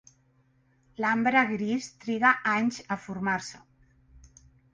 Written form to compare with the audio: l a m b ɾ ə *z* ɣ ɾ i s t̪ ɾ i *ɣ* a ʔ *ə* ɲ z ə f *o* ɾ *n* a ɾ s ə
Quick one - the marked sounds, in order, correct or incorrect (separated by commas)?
incorrect, correct, incorrect, incorrect, incorrect